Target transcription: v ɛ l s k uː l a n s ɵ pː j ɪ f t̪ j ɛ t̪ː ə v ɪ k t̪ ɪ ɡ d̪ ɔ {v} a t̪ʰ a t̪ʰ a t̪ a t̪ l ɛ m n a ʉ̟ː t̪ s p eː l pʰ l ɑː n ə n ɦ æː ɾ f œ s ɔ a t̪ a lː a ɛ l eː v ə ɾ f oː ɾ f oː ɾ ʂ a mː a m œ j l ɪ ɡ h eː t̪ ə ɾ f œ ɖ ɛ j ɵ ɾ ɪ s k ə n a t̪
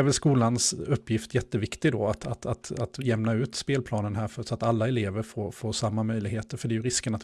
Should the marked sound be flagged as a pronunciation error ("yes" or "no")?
yes